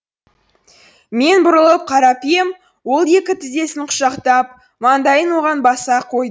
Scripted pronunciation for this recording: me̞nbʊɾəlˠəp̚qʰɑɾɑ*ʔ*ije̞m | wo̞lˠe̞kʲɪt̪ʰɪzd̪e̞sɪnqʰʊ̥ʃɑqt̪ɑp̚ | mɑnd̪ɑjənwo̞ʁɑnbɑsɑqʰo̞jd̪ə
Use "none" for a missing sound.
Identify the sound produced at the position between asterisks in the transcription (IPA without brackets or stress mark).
p